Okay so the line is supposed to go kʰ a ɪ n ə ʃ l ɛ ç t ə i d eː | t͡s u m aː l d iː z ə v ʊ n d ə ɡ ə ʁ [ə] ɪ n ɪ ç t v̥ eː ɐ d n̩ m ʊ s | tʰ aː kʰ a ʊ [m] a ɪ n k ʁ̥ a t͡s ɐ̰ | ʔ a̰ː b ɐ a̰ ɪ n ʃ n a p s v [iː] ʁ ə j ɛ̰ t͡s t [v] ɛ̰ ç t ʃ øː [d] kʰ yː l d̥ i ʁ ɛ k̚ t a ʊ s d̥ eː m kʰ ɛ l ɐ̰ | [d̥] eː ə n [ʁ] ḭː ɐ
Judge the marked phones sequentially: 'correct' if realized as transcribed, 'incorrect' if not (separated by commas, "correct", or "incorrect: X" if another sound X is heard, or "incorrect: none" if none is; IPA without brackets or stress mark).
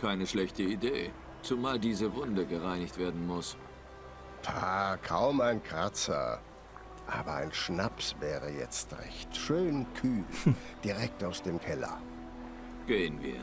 incorrect: a, correct, incorrect: ɛː, incorrect: ʁ, incorrect: n, incorrect: ɡ̥, incorrect: v